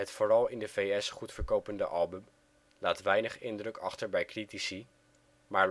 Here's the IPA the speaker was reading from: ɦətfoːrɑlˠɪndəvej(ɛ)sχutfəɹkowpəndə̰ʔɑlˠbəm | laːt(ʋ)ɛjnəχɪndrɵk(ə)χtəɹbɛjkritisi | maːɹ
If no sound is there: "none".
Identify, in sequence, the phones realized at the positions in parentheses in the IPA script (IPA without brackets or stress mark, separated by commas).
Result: ɛ, ʋ, ɑ